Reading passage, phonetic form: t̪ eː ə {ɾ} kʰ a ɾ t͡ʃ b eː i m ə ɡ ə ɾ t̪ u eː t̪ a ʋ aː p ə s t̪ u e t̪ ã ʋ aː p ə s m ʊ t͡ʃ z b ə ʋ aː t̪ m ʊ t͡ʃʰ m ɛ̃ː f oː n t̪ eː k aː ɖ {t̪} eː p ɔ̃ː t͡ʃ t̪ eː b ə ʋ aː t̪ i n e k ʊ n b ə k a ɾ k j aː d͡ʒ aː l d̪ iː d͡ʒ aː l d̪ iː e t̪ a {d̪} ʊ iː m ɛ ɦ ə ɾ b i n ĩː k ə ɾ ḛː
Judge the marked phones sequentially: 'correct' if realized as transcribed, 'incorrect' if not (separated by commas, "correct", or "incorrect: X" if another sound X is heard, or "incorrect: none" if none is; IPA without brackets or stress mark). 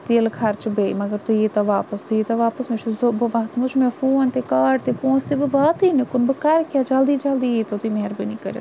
incorrect: l, correct, incorrect: t̪